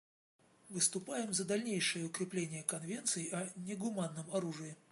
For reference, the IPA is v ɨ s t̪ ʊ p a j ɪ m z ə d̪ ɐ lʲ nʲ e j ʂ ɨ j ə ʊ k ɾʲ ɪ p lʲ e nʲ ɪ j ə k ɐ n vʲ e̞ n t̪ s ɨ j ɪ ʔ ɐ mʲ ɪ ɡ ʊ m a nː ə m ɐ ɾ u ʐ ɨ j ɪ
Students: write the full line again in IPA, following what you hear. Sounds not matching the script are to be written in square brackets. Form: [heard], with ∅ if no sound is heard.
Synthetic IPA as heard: v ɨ s t̪ ʊ p a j ɪ m z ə d̪ ɐ lʲ nʲ e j ʂ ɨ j ə ʊ k ɾʲ ɪ p lʲ e nʲ ɪ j ə k ɐ n vʲ e̞ n t̪ s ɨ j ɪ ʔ ɐ [nʲ] ɪ ɡ ʊ m a nː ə m ɐ ɾ u ʐ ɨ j ɪ